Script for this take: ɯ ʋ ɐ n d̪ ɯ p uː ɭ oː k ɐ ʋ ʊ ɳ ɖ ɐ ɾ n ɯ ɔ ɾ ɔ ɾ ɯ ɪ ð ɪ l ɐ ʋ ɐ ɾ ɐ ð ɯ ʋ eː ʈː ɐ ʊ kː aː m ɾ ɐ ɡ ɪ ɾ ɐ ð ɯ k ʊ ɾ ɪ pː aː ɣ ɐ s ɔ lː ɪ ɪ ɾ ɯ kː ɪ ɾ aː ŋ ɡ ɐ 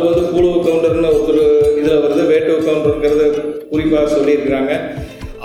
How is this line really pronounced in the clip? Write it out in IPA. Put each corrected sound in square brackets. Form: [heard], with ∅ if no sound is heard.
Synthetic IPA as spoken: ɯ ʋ ɐ n d̪ ɯ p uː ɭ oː k ɐ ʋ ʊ ɳ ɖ ɐ ɾ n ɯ ɔ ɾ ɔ ɾ ɯ ɪ ð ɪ l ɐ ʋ ɐ ɾ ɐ ð ɯ ʋ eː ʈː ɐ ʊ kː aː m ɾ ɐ ɡ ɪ ɾ ɐ ð ɯ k ʊ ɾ ɪ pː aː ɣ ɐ s ɔ lː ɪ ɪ ɾ ɯ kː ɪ ɾ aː ŋ ɡ ɐ